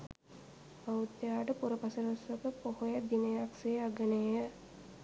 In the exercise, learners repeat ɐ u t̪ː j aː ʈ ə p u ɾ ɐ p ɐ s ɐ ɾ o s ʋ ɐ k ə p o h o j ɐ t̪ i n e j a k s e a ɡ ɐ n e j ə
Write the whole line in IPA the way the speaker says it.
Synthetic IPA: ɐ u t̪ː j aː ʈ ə p u ɾ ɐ p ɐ s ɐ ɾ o s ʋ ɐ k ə p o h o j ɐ d̪ i n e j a k s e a ɡ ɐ n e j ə